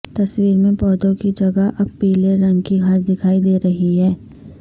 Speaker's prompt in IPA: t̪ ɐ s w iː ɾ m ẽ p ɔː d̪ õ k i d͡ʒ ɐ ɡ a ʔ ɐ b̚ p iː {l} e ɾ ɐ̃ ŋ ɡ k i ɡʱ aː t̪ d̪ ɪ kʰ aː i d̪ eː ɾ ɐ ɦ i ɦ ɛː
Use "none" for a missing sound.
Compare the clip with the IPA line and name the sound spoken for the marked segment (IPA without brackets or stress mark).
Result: l